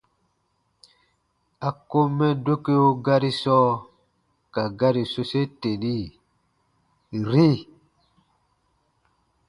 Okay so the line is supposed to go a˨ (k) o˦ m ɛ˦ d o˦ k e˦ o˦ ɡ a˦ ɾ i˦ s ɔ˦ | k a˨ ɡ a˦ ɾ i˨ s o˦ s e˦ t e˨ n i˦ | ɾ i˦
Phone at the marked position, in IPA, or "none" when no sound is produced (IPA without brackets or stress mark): k